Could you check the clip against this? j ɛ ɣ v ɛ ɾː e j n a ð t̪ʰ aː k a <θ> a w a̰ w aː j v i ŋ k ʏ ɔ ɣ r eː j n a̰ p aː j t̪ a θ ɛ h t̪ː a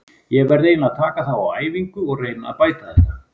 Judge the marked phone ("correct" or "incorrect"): correct